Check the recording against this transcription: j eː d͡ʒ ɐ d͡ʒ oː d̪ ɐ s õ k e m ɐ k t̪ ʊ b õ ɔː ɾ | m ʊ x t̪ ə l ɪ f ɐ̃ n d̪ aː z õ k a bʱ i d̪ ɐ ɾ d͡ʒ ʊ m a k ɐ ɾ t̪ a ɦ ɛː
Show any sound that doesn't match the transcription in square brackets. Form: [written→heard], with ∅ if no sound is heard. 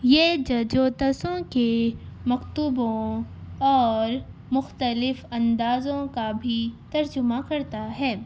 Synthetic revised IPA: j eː d͡ʒ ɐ d͡ʒ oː [d̪→t̪] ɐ s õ k e m ɐ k t̪ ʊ b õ ɔː ɾ | m ʊ x t̪ ə l ɪ f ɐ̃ n d̪ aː z õ k a bʱ i [d̪→t̪] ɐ ɾ d͡ʒ ʊ m a k ɐ ɾ t̪ a ɦ ɛː